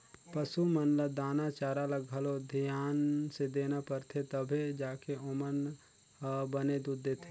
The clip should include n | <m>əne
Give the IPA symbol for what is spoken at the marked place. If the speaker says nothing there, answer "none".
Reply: b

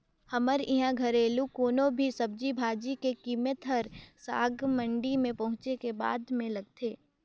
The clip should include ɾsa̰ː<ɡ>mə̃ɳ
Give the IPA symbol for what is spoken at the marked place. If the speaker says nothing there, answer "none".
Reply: ɡ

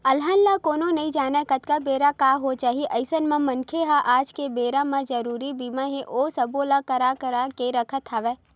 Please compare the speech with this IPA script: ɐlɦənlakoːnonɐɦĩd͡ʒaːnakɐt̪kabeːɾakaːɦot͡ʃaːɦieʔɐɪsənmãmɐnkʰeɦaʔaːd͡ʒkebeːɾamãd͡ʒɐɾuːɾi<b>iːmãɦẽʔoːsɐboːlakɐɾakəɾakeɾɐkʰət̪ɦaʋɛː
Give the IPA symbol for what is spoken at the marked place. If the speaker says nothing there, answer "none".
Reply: b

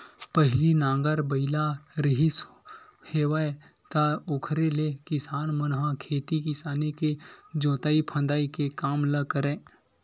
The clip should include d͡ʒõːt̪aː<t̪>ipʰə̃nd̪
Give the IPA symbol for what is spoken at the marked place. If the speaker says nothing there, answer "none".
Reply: none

